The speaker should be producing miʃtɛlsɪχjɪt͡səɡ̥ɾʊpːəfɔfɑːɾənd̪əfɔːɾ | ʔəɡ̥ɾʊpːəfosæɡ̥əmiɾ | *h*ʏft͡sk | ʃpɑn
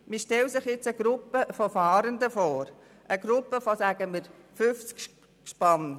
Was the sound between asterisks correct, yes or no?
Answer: no